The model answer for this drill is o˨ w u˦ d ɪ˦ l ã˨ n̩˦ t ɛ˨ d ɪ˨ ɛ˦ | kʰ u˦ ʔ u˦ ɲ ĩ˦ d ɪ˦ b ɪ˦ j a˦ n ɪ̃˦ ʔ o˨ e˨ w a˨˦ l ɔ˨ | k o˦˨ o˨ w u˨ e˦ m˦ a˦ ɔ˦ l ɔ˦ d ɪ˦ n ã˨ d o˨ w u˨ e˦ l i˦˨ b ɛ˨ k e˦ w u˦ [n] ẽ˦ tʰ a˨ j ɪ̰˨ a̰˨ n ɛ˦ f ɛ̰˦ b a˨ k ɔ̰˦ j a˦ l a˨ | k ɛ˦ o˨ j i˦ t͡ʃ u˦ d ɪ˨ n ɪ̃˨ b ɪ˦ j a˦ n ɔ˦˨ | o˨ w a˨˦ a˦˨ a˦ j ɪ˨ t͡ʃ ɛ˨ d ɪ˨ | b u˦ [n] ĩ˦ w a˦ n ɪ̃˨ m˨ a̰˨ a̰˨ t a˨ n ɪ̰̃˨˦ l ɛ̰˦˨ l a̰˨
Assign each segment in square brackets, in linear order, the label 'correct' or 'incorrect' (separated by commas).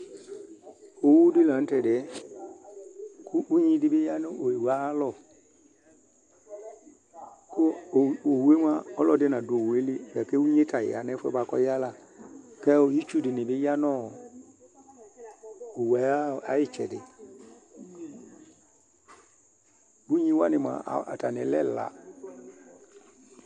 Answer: incorrect, incorrect